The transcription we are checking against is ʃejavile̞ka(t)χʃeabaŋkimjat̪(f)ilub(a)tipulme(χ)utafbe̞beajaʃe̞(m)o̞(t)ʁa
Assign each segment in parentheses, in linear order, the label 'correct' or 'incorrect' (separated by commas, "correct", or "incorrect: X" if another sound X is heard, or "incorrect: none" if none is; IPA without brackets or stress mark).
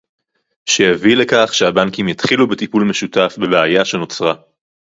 incorrect: none, incorrect: χ, incorrect: e, incorrect: ʃ, incorrect: n, incorrect: t͡s